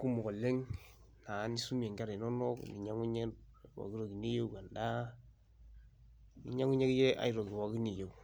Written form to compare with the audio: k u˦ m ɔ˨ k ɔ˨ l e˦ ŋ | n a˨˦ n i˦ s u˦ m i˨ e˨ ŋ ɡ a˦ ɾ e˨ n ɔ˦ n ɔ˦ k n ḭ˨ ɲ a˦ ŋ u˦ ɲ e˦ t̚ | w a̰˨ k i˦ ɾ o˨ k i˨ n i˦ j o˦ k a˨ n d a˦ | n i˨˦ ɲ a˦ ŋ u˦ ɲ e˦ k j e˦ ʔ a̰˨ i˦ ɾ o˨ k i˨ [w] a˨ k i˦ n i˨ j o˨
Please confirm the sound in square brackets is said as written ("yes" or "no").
yes